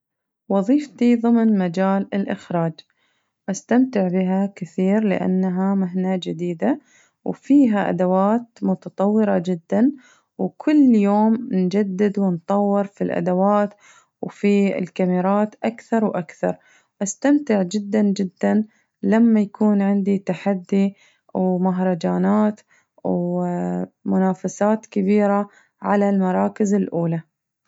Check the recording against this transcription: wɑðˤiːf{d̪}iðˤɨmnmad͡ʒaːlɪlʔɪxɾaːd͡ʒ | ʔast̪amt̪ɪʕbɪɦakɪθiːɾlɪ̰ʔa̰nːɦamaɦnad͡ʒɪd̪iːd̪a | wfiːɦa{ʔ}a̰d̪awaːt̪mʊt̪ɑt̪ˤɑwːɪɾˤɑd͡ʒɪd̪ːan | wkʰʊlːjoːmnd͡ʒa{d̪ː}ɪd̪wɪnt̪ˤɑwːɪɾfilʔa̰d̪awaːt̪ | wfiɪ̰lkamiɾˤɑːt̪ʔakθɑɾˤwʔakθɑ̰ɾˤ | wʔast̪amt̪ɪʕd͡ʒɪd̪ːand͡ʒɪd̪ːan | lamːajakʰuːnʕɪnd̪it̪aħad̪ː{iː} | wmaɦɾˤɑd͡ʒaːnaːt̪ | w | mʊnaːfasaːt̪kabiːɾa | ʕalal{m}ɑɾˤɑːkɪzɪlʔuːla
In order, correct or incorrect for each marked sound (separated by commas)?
incorrect, correct, correct, incorrect, correct